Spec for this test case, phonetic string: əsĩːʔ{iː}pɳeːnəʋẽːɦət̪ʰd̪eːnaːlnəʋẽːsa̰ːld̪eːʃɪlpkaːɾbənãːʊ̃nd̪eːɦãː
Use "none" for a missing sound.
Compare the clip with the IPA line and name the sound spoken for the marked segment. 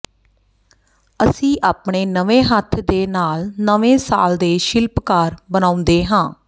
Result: aː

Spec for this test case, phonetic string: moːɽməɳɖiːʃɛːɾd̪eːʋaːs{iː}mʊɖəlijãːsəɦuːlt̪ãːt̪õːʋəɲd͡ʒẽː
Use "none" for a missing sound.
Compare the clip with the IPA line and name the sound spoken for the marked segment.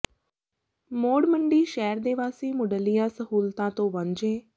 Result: iː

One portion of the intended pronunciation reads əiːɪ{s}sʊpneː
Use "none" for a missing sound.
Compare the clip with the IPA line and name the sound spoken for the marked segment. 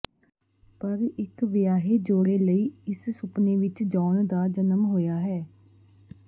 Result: s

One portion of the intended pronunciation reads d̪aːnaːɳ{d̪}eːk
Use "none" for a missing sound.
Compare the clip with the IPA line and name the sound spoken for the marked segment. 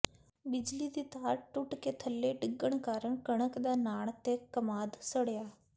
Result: t̪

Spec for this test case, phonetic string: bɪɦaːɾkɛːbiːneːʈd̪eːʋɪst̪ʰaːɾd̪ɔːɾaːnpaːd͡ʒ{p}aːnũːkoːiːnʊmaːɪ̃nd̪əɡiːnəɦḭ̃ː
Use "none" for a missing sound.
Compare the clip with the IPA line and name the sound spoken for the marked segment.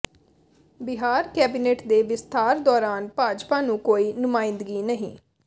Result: p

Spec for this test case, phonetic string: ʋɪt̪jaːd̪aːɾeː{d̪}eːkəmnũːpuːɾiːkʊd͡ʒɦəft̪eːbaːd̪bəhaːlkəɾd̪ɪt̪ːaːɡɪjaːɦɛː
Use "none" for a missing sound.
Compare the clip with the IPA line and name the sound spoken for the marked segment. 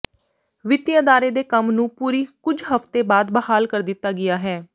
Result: d̪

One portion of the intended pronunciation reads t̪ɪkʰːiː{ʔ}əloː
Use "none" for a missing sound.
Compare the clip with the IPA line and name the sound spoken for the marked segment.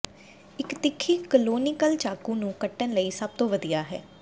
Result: k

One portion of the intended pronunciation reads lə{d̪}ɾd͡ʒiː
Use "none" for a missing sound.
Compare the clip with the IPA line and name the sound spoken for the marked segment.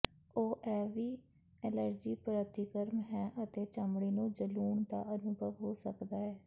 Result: none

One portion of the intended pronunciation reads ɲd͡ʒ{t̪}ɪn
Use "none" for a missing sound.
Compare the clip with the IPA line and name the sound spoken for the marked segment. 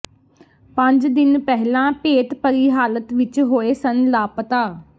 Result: d̪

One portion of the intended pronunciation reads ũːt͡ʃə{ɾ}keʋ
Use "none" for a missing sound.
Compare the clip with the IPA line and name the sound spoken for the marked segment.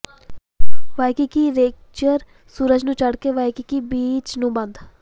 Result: ɽ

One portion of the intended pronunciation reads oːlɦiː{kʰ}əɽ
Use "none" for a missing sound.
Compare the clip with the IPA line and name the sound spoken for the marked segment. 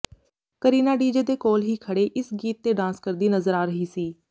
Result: kʰ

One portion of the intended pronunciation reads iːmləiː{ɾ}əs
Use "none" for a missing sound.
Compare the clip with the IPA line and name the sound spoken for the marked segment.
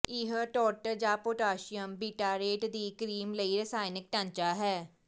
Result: ɾ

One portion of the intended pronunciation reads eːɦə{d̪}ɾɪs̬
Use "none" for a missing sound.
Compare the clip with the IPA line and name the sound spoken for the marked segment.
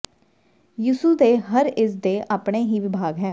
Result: none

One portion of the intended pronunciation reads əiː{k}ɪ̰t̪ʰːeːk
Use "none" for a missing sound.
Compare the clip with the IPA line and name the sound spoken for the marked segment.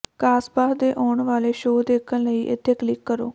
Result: ʔ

